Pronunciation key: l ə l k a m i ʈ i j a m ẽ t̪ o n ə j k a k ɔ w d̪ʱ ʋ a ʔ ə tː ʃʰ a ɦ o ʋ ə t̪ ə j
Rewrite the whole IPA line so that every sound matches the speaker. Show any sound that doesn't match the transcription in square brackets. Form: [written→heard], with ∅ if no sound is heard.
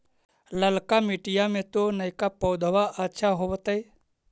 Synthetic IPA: l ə l k a m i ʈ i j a m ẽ t̪ o n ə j k a [k→p] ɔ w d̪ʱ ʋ a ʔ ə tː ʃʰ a ɦ o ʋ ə t̪ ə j